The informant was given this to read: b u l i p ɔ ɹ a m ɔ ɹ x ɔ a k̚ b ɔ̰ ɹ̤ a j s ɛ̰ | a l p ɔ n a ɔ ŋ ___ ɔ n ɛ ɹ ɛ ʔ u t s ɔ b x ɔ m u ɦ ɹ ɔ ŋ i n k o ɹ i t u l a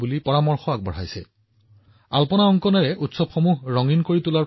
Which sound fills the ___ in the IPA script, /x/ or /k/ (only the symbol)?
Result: k